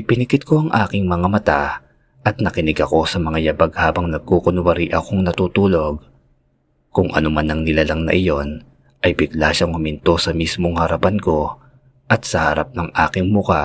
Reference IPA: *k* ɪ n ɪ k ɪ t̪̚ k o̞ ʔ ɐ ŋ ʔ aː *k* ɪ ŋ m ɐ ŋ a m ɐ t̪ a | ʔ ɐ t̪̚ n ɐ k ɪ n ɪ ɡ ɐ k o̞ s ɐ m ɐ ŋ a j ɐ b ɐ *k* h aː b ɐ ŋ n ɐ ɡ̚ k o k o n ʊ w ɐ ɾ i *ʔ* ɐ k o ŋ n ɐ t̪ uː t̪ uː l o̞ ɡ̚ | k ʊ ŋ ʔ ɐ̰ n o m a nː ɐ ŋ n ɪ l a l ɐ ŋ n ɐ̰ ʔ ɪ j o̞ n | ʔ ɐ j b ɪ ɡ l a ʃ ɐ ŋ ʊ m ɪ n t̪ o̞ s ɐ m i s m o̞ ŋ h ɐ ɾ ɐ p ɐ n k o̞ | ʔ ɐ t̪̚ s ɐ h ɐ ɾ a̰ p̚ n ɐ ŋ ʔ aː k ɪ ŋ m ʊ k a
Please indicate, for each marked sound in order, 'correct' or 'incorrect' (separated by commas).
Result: incorrect, correct, incorrect, correct